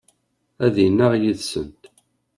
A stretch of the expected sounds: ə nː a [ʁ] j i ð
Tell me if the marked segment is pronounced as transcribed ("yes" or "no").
yes